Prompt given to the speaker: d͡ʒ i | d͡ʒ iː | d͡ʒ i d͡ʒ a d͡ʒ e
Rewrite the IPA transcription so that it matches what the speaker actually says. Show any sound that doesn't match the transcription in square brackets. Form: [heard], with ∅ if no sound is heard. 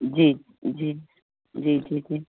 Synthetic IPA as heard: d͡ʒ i | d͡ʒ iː | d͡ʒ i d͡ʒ [i] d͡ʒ [i]